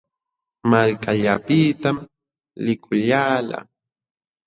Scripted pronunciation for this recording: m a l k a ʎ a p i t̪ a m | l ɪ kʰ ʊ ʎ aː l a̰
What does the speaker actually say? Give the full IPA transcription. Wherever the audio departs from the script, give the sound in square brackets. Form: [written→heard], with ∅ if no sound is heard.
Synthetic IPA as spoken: m a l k a ʎ a p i t̪ a m | l ɪ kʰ ʊ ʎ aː l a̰